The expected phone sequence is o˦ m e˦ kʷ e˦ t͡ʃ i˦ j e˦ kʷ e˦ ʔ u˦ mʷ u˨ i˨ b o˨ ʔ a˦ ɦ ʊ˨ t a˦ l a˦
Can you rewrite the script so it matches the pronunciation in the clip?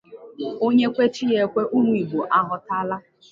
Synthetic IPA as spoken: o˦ ɲ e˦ kʷ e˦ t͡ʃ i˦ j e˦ kʷ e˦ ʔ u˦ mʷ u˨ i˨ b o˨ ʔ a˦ ɦ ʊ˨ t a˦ l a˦